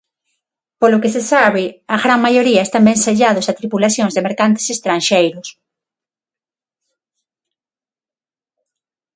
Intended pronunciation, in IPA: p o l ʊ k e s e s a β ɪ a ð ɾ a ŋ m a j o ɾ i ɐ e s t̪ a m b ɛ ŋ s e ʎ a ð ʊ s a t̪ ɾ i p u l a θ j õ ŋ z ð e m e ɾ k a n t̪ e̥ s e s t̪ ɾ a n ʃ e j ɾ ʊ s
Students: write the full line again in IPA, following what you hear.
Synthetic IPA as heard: p o l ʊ k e s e s a β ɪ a ɣ ɾ a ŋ m a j o ɾ i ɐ e s t̪ a m b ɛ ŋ s e ʎ a ð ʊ s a t̪ ɾ i p u l a θ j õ ŋ z ð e m e ɾ k a n t̪ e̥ s e s t̪ ɾ a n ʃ e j ɾ ʊ s